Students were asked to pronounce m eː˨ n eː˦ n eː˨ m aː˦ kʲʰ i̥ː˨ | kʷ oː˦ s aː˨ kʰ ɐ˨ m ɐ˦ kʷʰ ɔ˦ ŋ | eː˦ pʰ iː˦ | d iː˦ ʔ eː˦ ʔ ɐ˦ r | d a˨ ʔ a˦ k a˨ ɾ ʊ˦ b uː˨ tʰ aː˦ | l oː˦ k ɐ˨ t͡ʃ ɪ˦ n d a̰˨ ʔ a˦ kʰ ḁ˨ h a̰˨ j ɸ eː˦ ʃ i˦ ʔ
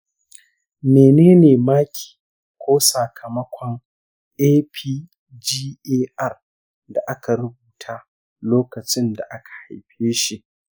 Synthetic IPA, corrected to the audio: m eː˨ n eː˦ n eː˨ m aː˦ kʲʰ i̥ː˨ | kʷ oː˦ s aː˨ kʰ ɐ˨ m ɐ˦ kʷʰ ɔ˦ ŋ | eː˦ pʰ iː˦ | d͡ʒ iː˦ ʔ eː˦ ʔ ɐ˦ r | d a˨ ʔ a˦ k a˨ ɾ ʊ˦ b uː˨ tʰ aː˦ | l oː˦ k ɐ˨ t͡ʃ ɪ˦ n d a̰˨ ʔ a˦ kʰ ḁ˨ h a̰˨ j ɸ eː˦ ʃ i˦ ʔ

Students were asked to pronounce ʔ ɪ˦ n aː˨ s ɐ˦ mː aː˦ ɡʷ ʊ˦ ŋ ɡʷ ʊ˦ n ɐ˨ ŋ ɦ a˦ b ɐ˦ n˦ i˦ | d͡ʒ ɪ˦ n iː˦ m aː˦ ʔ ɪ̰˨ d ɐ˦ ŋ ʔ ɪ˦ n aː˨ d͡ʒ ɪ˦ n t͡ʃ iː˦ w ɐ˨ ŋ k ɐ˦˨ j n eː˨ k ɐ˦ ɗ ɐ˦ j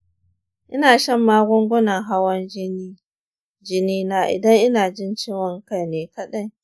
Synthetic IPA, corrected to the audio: ʔ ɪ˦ n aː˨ ʃ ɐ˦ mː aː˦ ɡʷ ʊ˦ ŋ ɡʷ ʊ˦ n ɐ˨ ŋ ɦ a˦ w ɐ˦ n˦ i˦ | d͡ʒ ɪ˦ n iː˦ n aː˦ ʔ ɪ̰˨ d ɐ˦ ŋ ʔ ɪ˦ n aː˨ d͡ʒ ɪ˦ n t͡ʃ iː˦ w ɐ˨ ŋ k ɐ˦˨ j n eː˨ k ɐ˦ ɗ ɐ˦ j

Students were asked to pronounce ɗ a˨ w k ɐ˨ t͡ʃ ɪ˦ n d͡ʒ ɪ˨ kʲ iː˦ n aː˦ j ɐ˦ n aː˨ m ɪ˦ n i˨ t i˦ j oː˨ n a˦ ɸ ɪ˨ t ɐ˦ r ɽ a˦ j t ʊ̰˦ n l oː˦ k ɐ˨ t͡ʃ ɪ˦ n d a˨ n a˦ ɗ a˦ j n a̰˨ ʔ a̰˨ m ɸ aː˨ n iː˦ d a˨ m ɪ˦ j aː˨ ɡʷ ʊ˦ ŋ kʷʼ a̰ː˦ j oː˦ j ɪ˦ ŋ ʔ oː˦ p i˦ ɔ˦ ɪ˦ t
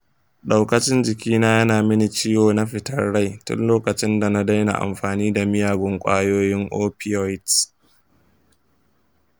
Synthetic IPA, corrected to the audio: ɗ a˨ w k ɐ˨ t͡ʃ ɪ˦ n d͡ʒ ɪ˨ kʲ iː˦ n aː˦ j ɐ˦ n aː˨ m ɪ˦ n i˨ t͡ʃ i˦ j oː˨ n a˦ ɸ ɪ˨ t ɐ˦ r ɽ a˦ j t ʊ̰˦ n l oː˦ k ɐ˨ t͡ʃ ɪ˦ n d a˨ n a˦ d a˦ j n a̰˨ ʔ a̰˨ m ɸ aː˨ n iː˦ d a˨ m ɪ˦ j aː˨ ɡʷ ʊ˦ ŋ kʷʼ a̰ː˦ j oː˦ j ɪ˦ ŋ ʔ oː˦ p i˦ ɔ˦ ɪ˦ t

